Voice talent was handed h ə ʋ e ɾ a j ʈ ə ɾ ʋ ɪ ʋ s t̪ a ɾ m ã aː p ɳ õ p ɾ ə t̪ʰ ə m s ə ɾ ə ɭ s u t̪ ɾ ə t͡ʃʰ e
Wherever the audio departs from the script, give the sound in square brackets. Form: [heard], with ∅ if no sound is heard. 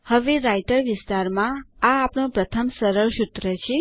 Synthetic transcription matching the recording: h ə ʋ e ɾ a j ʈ ə ɾ ʋ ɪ [∅] s t̪ a ɾ m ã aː p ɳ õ p ɾ ə t̪ʰ ə m s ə ɾ ə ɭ [ʃ] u t̪ ɾ ə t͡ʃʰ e

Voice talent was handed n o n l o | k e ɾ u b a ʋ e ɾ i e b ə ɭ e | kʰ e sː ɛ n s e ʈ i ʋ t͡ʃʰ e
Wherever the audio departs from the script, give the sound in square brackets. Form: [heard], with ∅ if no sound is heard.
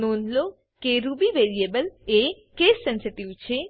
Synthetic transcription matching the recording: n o n l o | k e ɾ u b [i] ʋ e ɾ i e b ə [l] e | [k] e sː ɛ n s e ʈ i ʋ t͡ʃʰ e

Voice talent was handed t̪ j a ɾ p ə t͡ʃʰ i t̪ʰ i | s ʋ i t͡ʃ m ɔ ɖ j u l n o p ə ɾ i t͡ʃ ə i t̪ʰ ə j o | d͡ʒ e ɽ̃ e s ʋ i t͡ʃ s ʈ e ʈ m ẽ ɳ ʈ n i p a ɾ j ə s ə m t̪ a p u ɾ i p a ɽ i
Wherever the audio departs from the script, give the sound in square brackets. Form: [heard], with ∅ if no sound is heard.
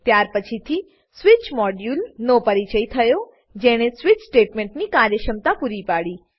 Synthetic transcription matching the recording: t̪ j a ɾ p ə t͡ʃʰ i t̪ʰ i | s ʋ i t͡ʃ m ɔ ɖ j u l n o p ə ɾ i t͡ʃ ə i t̪ʰ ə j o | d͡ʒ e ɽ̃ e s ʋ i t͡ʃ s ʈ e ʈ m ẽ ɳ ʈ n i [k] a ɾ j ə [ʃ] ə m t̪ a p u ɾ i p a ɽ i

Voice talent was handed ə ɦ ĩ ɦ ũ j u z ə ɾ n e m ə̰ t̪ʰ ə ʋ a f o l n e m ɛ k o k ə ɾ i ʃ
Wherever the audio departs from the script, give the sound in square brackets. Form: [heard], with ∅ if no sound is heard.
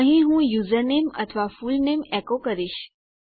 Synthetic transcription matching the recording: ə ɦ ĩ ɦ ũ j u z ə ɾ n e m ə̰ t̪ʰ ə ʋ a f [u] l n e m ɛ k o k ə ɾ i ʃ

